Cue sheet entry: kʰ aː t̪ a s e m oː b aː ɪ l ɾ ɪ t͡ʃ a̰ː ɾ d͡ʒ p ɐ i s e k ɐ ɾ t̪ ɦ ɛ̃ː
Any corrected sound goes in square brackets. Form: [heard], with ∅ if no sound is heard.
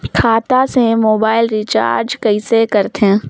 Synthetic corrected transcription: kʰ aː t̪ a s e m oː b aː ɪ l ɾ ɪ t͡ʃ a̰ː ɾ d͡ʒ [k] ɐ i s e k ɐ ɾ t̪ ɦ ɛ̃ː